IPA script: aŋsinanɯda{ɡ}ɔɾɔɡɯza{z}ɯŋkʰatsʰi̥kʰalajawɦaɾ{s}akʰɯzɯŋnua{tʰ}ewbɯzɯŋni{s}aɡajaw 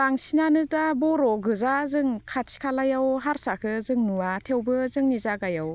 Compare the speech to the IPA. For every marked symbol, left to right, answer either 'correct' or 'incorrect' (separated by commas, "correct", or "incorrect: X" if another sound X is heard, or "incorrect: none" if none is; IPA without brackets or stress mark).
incorrect: b, correct, correct, correct, incorrect: z